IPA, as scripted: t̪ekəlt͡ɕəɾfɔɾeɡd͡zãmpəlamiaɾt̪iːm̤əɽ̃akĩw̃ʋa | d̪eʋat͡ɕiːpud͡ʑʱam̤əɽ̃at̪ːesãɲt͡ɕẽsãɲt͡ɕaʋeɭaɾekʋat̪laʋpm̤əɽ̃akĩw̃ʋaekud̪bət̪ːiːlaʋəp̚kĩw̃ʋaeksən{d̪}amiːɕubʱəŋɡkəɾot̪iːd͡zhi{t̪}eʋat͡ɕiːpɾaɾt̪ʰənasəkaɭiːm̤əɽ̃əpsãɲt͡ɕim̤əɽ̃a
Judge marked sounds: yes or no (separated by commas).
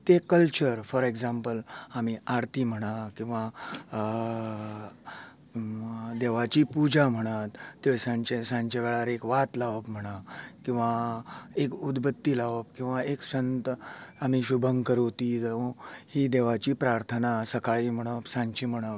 no, no